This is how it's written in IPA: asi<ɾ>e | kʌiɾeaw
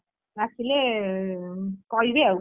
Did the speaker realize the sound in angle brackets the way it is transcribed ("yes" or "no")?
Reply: no